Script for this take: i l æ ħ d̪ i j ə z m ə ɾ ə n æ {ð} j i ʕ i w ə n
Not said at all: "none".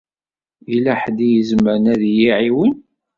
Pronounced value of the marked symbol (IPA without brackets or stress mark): ð